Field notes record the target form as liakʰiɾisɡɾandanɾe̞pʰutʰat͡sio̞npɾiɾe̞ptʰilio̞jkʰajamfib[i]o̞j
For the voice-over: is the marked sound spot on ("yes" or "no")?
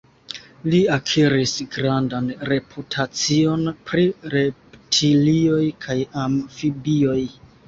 yes